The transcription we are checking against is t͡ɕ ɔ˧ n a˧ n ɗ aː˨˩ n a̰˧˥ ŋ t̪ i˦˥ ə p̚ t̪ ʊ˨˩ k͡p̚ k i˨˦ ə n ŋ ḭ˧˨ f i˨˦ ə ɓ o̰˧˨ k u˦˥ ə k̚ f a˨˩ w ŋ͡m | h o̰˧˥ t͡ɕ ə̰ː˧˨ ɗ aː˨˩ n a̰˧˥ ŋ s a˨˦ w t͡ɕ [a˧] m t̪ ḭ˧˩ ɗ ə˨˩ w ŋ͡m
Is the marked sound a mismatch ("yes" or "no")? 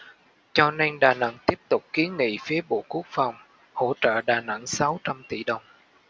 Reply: no